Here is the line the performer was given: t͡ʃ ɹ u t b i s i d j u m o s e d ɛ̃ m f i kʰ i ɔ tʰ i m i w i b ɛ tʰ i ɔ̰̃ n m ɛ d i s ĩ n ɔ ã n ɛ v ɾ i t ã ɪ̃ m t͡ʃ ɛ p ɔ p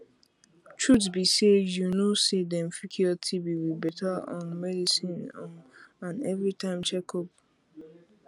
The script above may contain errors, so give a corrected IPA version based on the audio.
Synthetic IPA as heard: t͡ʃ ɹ u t b i s e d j u n o s e d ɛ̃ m f i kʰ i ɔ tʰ i b i w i b ɛ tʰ a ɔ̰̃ n m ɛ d i s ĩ n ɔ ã n ɛ v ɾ i t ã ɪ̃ m t͡ʃ ɛ k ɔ p